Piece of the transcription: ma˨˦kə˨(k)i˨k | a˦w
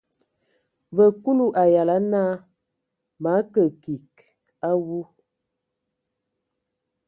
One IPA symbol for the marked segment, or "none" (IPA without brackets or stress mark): k